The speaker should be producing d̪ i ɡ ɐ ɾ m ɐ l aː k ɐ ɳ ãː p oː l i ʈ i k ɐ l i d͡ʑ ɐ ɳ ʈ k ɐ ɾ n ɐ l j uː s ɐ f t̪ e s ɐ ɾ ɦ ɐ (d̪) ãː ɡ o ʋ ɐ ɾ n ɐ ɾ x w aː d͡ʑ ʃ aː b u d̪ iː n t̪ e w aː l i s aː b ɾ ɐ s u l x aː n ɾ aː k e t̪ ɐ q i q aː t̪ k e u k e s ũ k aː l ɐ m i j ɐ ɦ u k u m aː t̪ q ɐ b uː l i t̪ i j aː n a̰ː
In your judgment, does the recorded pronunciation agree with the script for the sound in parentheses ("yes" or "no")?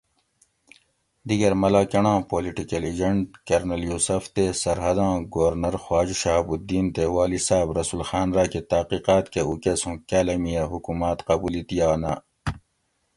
yes